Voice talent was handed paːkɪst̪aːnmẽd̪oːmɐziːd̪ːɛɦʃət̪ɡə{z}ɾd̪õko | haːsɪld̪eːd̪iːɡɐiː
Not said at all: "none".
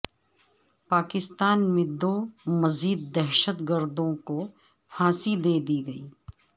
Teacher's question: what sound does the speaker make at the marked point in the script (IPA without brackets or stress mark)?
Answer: none